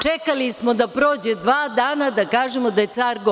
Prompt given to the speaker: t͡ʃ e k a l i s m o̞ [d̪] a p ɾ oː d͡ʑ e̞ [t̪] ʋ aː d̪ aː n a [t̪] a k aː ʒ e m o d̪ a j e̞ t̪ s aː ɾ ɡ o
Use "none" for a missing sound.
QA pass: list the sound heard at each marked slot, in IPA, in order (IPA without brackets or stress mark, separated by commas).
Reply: d̪, d̪, d̪